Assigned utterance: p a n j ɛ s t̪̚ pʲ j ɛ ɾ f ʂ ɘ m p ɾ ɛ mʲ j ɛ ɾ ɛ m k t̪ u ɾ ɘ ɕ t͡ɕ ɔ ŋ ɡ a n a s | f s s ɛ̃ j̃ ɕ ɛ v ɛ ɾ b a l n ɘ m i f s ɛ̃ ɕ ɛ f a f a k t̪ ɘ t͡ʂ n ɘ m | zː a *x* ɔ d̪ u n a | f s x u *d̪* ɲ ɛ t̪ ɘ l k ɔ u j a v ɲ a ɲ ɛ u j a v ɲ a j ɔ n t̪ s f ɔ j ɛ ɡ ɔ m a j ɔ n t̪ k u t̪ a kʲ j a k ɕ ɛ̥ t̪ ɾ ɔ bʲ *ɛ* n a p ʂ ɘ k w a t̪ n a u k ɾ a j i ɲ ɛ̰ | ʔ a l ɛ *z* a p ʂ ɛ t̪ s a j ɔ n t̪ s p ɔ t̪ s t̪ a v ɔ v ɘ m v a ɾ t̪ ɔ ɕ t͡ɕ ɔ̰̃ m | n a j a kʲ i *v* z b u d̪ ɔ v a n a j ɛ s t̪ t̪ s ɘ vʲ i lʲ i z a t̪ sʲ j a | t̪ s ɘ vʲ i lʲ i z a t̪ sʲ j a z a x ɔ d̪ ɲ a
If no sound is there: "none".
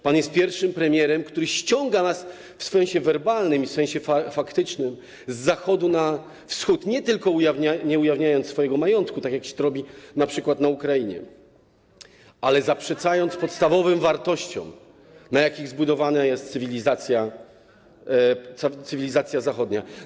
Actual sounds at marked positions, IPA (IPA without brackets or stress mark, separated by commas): x, t̪, i, z, ɣ